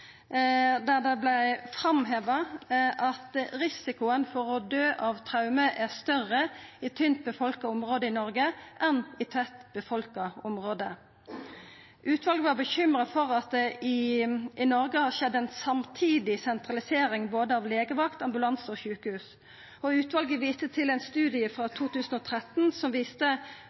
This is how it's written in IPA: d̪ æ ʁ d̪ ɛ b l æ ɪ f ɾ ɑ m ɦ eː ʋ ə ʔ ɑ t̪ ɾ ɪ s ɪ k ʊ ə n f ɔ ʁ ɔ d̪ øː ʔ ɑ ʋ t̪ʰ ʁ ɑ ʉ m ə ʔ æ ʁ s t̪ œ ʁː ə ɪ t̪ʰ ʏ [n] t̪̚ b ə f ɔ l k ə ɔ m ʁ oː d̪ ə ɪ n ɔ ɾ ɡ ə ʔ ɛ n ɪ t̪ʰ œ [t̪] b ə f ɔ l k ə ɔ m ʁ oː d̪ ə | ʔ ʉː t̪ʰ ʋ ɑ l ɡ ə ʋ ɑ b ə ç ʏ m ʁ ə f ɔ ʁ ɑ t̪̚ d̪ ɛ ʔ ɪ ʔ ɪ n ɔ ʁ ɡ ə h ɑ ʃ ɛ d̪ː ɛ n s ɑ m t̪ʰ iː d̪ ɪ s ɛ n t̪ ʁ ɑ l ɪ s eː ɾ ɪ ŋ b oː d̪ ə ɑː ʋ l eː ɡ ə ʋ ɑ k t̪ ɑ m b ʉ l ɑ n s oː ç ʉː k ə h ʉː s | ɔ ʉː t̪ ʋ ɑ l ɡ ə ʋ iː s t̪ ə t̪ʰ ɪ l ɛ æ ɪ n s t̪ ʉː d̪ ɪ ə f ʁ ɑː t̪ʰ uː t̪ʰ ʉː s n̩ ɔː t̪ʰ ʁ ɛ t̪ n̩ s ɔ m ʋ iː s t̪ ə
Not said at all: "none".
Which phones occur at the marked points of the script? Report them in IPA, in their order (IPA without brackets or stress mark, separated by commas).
n, t̪